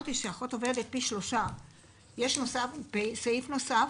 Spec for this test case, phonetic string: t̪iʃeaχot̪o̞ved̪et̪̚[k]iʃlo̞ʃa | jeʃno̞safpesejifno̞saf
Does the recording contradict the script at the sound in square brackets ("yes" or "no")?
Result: yes